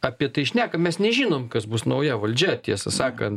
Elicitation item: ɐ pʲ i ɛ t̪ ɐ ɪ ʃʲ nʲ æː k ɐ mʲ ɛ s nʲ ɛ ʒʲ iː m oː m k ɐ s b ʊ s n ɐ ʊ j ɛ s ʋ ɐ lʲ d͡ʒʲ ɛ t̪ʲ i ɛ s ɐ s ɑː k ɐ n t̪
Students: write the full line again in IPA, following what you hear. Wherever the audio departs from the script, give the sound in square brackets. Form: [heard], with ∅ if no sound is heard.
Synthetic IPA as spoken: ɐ pʲ i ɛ t̪ ɐ ɪ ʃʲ nʲ æː k ɐ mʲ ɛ s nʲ ɛ ʒʲ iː [n] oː m k ɐ s b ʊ s n ɐ ʊ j ɛ [∅] ʋ ɐ lʲ d͡ʒʲ ɛ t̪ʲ i ɛ s ɐ s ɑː k ɐ n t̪